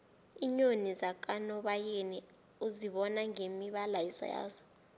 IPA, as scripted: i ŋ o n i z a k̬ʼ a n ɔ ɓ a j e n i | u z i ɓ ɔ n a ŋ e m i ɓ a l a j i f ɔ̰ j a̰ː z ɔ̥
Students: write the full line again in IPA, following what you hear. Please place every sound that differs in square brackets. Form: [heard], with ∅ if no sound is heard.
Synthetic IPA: i [ɲ] o n i z a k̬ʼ a n ɔ ɓ a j e n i | u z i ɓ ɔ n a ŋ e m i ɓ a l a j i [s] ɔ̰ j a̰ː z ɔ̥